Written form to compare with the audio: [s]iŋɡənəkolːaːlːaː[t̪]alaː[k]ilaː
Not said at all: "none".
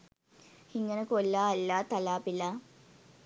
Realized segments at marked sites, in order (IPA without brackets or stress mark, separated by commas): h, t̪, p